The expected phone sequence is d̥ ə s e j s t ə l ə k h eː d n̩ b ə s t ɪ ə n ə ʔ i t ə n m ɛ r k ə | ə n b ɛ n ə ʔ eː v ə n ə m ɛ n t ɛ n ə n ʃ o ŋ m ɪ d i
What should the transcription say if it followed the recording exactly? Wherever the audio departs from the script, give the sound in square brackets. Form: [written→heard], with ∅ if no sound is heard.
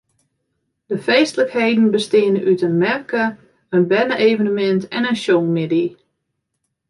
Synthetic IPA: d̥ ə [s→f] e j s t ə l ə k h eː d n̩ b ə s t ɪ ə n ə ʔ [i→y] t ə n m ɛ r k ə | ə n b ɛ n ə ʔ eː v ə n ə m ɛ n t ɛ n ə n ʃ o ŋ m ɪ d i